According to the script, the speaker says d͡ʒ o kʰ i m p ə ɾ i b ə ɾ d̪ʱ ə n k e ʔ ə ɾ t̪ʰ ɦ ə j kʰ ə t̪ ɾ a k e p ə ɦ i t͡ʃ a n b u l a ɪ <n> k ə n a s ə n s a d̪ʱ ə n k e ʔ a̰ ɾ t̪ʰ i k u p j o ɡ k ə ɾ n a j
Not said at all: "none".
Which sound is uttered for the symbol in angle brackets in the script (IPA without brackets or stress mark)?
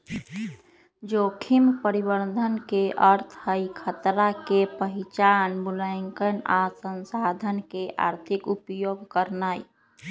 ŋ